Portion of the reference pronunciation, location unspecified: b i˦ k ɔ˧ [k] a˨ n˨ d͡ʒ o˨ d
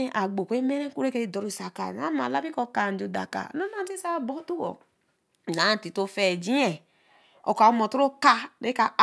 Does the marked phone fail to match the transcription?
no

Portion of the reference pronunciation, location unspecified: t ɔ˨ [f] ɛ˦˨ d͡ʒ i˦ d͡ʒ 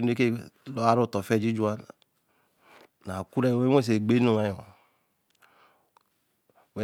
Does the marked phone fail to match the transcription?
no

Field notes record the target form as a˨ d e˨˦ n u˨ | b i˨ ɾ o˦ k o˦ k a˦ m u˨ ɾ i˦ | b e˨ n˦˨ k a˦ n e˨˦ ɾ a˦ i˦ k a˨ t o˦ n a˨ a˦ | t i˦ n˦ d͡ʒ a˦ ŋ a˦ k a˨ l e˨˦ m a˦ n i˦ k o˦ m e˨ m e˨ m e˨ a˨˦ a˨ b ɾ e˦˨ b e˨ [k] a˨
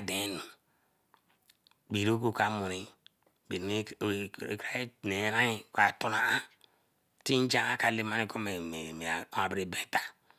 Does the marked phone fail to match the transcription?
yes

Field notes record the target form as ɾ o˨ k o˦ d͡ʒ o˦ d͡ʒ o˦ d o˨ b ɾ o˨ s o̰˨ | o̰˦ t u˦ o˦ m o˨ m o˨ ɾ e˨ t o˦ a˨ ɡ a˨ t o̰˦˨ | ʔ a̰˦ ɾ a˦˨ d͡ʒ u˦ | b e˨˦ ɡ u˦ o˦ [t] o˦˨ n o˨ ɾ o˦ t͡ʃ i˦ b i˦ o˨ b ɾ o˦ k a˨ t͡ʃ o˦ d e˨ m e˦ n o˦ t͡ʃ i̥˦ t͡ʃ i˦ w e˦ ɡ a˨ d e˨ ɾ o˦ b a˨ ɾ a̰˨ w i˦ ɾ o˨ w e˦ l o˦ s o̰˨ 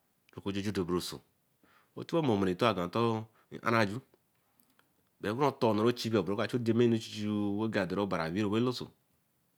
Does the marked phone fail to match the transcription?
no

